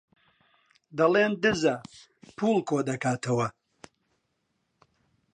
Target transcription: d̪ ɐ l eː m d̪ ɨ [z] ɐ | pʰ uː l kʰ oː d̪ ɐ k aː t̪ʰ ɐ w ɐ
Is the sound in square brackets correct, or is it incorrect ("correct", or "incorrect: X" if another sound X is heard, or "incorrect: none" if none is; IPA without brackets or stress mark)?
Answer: correct